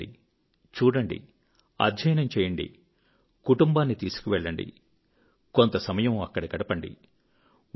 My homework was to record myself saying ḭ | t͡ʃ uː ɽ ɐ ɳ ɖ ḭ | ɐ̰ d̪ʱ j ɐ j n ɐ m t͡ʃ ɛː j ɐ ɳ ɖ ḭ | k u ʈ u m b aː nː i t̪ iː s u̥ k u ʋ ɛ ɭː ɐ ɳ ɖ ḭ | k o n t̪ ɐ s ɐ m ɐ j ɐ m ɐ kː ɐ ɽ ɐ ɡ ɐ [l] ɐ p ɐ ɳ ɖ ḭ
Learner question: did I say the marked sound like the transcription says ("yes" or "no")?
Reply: no